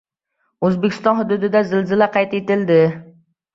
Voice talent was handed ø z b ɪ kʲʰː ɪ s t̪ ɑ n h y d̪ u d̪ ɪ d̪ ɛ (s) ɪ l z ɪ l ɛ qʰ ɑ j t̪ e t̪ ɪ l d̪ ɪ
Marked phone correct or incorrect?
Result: incorrect